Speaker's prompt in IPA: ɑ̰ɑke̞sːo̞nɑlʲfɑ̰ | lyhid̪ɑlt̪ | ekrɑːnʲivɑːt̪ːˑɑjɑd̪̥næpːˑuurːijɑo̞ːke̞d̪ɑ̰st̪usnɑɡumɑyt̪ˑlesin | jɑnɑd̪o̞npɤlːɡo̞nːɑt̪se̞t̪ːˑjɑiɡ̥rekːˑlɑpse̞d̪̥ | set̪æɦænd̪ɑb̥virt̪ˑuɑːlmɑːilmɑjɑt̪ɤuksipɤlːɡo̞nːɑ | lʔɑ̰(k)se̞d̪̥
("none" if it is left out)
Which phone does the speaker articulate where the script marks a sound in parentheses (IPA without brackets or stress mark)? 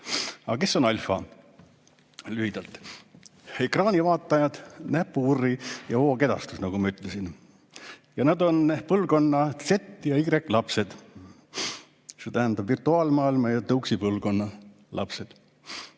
p